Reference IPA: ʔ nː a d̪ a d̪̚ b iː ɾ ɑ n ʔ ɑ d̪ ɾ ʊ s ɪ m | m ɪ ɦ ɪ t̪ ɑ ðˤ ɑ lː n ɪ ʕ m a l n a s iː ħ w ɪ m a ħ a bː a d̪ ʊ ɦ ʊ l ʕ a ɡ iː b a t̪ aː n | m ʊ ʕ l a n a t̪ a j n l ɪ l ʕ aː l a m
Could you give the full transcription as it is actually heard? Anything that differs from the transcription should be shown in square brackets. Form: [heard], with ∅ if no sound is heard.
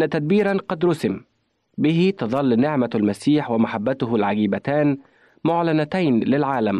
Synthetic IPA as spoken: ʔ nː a [t̪] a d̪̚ b iː ɾ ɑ n [q] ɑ d̪ ɾ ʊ s ɪ m | [b] ɪ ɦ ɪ t̪ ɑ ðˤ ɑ lː n ɪ ʕ m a l [m] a s iː ħ w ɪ m a ħ a bː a [t̪] ʊ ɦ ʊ l ʕ a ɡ iː b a t̪ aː n | m ʊ ʕ l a n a t̪ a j n l ɪ l ʕ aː l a m